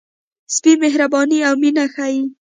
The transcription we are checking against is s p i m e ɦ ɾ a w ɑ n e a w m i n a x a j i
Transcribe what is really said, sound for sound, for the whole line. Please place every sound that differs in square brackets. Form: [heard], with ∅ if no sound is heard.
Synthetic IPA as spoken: s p i m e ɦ ɾ a [b] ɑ n [i] a w m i n a x a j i

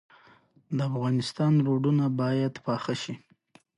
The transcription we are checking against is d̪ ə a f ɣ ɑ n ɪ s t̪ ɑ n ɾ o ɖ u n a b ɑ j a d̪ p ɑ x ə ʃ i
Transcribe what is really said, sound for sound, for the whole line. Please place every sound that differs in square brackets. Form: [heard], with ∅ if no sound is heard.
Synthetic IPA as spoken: d̪ ə a f ɣ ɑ n ɪ s t̪ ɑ n ɾ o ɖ u n a b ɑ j a d̪ p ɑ x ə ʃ i

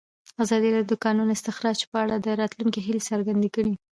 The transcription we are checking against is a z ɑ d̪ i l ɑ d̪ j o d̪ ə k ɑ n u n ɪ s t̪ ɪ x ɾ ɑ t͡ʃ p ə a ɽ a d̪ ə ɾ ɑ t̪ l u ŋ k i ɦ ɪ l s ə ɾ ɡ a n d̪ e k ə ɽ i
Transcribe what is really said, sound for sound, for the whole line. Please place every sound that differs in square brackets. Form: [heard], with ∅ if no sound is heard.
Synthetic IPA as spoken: a z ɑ d̪ i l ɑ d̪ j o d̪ ə k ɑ n u n ɪ s t̪ ɪ x ɾ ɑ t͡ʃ p ə a ɽ a d̪ ə ɾ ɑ t̪ l u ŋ k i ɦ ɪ l s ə ɾ ɡ a n d̪ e k ə ɽ i

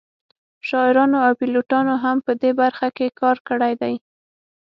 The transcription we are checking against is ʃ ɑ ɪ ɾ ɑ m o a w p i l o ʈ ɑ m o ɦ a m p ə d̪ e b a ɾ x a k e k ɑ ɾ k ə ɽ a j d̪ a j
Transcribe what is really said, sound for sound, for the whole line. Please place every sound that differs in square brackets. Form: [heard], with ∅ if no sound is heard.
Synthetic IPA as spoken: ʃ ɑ ɪ ɾ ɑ [n] o a w p i l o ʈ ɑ [n] o ɦ a m p ə d̪ e b a ɾ x a k e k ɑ ɾ k ə ɽ a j d̪ a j

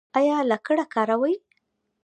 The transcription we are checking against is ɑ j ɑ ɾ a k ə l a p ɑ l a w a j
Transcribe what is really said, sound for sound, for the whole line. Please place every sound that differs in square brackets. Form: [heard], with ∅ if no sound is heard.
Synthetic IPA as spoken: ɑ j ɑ [l] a k ə [ɽ] a [k] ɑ [ɾ] a w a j

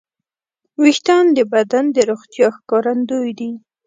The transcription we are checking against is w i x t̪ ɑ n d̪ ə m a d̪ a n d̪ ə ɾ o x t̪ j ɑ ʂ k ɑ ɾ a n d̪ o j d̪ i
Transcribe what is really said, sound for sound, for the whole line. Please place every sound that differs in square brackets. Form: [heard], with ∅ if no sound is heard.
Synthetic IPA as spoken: w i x t̪ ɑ n d̪ ə [b] a d̪ a n d̪ ə ɾ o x t̪ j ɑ [x] k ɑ ɾ a n d̪ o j d̪ i

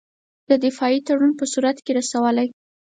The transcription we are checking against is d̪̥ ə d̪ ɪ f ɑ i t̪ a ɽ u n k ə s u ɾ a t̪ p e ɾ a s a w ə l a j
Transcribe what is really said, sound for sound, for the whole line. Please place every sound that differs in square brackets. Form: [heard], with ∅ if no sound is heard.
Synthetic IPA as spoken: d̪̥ ə d̪ ɪ f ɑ i t̪ a ɽ u n [p] ə s u ɾ a t̪ [k] e ɾ a s a w ə l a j

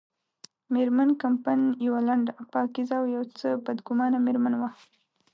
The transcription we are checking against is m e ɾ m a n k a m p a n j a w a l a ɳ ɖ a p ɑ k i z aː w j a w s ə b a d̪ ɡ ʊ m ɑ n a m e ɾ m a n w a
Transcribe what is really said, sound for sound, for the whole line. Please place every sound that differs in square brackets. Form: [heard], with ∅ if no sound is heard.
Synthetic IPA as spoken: m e ɾ m a n k a m p a n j a w a l a ɳ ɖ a p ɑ k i z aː w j a w [t͡s] ə b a d̪ ɡ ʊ m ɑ n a m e ɾ m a n w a

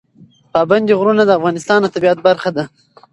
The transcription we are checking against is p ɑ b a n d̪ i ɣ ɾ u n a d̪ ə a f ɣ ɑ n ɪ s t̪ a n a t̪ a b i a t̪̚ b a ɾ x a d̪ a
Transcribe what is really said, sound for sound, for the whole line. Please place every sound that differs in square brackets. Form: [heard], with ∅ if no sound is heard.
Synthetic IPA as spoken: p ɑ b a n d̪ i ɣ ɾ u n a d̪ ə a f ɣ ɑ n ɪ s t̪ [ɑ] n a t̪ a b i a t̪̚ b a ɾ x a d̪ a

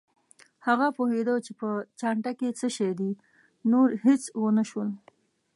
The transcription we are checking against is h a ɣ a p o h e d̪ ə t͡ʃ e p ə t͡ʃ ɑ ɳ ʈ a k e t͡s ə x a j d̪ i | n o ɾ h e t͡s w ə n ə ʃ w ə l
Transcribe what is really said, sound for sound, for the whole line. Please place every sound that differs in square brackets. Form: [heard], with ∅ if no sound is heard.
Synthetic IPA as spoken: h a ɣ a p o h e d̪ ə t͡ʃ e p ə t͡ʃ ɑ ɳ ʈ a k e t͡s ə [ʃ] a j d̪ i | n o ɾ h e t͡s w ə n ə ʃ w ə l

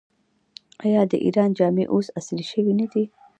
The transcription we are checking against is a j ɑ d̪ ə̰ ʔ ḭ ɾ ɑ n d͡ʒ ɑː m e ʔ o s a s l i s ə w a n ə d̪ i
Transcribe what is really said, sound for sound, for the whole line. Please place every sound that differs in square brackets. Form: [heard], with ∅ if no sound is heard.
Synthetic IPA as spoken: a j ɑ d̪ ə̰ ʔ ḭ ɾ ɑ n d͡ʒ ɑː m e ʔ o s a s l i [ʃ] ə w [i] n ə d̪ i

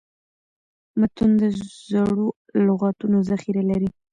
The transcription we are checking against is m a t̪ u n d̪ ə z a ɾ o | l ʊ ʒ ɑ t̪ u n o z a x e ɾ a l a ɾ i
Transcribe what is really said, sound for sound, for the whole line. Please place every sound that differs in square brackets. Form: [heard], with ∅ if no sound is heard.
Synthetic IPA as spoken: m a t̪ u n d̪ ə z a [ɽ] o | l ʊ [ɣ] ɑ t̪ u n o z a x [i] ɾ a l a ɾ i

